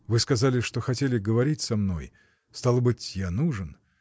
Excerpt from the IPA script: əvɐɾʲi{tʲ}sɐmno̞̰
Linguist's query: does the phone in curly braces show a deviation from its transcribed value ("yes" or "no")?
no